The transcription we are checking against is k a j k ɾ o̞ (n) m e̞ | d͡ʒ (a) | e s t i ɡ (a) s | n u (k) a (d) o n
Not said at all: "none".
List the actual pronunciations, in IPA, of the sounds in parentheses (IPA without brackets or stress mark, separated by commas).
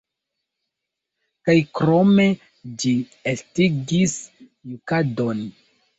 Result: none, i, i, k, d